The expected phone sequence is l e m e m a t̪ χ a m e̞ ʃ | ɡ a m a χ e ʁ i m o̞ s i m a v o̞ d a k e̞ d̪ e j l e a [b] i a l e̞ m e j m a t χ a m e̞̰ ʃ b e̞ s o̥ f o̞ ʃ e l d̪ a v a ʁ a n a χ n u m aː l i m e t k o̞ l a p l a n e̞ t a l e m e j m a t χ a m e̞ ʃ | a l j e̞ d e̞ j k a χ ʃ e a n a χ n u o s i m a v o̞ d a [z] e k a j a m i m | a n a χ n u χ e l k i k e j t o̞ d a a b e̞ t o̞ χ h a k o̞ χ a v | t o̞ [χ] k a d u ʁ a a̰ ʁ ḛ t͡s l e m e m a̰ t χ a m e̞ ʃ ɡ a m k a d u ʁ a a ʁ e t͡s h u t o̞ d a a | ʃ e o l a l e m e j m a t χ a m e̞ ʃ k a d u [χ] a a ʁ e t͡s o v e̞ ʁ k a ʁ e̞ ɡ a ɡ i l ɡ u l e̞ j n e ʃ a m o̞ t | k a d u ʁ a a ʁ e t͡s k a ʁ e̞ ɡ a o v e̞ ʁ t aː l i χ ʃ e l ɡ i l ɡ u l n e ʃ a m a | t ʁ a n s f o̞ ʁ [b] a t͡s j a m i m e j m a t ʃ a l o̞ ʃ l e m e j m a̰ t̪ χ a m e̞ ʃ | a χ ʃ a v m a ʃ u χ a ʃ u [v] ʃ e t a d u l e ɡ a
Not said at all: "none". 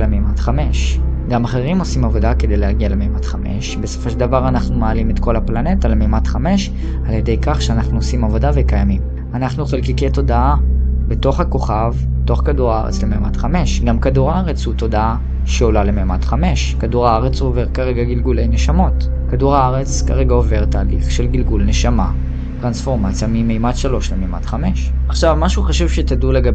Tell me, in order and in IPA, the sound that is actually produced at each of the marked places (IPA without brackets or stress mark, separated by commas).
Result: ɡ, v, χ, ʁ, m, v